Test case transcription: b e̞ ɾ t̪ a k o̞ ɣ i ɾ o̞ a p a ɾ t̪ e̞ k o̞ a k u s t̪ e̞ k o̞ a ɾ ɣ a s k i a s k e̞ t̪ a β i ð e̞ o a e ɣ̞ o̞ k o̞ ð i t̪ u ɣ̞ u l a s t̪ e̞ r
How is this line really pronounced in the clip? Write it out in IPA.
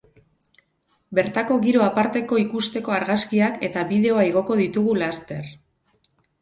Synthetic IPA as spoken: b e̞ ɾ t̪ a k o̞ ɣ i ɾ o̞ a p a ɾ t̪ e̞ k o̞ i k u s t̪ e̞ k o̞ a ɾ ɣ a s k i a k e̞ t̪ a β i ð e̞ o a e ɣ̞ o̞ k o̞ ð i t̪ u ɣ̞ u l a s t̪ e̞ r